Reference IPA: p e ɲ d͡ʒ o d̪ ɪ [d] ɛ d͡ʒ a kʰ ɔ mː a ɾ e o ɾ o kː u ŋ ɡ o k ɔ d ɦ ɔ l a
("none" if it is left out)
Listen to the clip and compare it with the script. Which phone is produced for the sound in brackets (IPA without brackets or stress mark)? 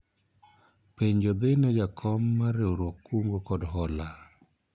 n